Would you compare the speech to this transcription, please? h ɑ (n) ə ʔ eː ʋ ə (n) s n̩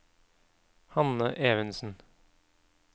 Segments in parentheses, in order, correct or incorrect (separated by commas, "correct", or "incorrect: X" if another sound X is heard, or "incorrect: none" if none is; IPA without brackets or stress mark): correct, correct